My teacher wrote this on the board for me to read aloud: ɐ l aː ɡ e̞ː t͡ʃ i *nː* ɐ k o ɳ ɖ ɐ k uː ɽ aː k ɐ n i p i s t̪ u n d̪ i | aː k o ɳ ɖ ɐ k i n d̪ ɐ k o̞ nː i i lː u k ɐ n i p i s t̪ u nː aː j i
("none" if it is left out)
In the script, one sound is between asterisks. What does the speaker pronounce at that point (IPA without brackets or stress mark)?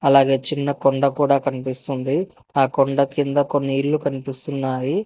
nː